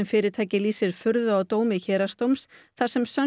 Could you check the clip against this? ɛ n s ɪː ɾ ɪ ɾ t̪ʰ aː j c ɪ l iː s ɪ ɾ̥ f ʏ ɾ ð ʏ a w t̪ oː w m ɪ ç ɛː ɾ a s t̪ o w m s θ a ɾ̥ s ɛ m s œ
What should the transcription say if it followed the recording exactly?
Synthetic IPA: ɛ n f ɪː ɾ ɪ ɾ t̪ʰ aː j c ɪ l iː s ɪ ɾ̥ f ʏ ɾ ð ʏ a w t̪ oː w m ɪ ç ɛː ɾ a s t̪ o w m s θ a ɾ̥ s ɛ m s œ

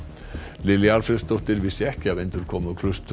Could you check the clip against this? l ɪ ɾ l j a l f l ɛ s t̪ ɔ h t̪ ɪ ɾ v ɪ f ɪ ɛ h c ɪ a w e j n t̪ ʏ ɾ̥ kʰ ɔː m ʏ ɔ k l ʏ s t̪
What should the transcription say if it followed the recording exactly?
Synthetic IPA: l ɪ l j a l f ɾ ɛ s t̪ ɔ h t̪ ɪ ɾ v ɪ s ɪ ɛ h c ɪ a v e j n t̪ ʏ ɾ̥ kʰ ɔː m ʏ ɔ kʰ l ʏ s t̪

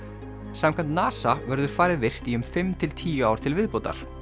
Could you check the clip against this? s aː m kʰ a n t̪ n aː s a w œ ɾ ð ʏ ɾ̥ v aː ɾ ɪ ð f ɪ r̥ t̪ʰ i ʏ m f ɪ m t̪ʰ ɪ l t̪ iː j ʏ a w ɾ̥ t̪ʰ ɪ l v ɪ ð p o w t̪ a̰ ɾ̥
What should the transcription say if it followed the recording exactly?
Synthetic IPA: s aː m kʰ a n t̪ n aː s a v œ ɾ ð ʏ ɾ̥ f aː ɾ ɪ ð v ɪ r̥ t̪ i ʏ m f ɪ m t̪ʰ ɪ l t̪ʰ iː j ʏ a w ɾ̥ t̪ʰ ɪ l v ɪ ð p o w t̪ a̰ ɾ̥

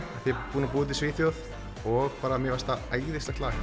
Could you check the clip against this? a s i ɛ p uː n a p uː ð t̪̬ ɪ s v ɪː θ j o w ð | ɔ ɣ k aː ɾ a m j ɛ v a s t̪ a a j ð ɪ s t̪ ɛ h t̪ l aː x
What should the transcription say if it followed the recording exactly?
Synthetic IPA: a θ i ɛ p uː n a p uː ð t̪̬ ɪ s v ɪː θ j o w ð | ɔ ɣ p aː ɾ a m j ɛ v a s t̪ a a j ð ɪ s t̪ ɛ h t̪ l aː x

